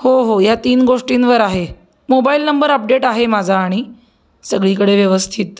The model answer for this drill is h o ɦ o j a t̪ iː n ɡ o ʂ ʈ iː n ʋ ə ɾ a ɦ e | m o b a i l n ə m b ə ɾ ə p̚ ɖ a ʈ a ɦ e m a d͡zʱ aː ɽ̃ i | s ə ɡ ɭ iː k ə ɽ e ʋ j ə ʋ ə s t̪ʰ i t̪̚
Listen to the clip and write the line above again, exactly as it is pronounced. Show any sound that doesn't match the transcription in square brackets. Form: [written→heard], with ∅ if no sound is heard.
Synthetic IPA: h o ɦ o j a t̪ iː n ɡ o ʂ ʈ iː n ʋ ə ɾ a ɦ e | m o b a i l n ə m b ə ɾ ə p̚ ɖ [a→e] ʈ a ɦ e m a d͡zʱ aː ɽ̃ i | s ə ɡ ɭ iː k ə ɽ e ʋ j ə ʋ ə s t̪ʰ i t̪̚